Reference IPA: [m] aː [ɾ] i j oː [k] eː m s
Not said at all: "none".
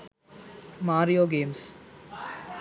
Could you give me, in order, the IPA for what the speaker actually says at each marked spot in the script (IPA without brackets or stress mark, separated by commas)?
m, ɾ, ɡ